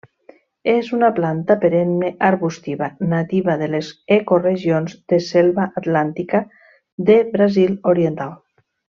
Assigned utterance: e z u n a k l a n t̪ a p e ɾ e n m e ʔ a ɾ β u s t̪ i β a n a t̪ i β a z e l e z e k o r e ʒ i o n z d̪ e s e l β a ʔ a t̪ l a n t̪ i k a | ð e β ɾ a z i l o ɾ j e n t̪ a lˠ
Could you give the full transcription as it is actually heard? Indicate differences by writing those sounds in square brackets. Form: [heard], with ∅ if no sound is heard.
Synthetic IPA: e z u n a [p] l a n t̪ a p e ɾ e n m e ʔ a ɾ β u s t̪ i β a n a t̪ i β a [ð] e l e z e k o r e ʒ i o n z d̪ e s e l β a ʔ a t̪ l a n t̪ i k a | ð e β ɾ a z i l o ɾ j e n t̪ a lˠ